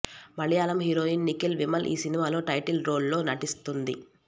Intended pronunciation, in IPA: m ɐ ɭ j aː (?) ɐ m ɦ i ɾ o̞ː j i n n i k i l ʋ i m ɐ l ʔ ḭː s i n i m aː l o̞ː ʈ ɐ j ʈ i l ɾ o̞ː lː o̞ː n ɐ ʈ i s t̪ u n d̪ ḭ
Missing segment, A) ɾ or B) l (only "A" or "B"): B